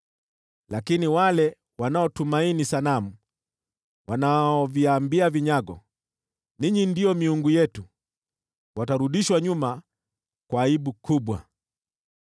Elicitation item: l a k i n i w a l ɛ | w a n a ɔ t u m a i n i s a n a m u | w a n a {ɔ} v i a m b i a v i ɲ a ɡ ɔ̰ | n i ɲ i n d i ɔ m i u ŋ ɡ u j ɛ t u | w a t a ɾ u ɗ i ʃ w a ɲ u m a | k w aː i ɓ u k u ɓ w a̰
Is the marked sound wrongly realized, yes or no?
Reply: no